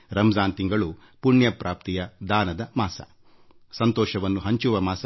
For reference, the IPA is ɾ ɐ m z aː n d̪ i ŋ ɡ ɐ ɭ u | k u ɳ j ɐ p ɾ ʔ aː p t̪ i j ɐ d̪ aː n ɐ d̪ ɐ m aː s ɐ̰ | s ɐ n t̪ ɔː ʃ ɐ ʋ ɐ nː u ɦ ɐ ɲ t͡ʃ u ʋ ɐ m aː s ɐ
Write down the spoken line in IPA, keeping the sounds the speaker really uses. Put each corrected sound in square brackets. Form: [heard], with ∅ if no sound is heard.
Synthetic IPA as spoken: ɾ ɐ m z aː n [t̪] i ŋ ɡ ɐ ɭ u | [p] u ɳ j ɐ p ɾ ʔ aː p t̪ i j ɐ d̪ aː n ɐ d̪ ɐ m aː s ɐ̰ | s ɐ n t̪ ɔː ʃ ɐ ʋ ɐ nː u ɦ ɐ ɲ t͡ʃ u ʋ ɐ m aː s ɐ